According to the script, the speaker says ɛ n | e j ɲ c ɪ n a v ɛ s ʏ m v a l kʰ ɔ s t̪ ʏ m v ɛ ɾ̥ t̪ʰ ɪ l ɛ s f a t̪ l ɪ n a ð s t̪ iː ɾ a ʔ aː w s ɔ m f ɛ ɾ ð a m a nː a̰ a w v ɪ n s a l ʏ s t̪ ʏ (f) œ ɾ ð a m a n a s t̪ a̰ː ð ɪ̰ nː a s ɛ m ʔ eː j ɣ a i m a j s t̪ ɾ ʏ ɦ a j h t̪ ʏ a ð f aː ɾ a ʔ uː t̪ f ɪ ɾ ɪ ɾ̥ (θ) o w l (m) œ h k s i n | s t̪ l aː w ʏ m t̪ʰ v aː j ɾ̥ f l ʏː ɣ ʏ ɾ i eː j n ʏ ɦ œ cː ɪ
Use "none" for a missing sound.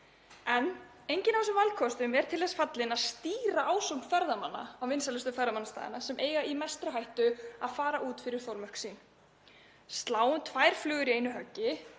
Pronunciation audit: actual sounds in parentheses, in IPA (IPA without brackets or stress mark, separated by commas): f, θ, m